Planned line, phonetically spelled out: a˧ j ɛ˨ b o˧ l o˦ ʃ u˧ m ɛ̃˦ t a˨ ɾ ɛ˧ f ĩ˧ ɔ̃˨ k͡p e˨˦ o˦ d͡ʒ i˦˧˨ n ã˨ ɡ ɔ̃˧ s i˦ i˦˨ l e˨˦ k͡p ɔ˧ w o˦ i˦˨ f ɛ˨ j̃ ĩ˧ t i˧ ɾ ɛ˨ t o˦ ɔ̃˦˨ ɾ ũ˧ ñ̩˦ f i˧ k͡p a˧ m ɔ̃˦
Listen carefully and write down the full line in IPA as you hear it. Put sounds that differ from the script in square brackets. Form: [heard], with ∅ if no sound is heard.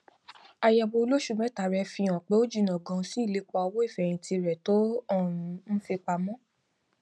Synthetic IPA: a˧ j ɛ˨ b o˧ l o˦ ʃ u˧ m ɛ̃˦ t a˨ ɾ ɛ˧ f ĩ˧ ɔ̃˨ k͡p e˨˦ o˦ d͡ʒ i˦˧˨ n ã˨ ɡ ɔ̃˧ s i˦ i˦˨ l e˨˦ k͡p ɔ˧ w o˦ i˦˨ f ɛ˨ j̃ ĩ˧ t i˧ ɾ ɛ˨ t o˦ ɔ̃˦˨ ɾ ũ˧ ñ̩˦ f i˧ k͡p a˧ m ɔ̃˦